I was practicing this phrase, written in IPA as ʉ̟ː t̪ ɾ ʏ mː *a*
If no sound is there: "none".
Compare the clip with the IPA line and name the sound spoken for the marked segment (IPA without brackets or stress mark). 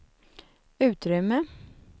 ə